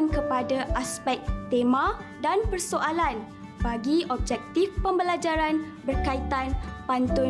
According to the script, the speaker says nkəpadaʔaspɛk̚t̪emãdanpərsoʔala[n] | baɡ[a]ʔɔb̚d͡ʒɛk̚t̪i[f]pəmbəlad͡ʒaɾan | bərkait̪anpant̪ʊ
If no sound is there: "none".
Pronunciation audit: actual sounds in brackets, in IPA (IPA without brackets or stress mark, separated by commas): n, i, f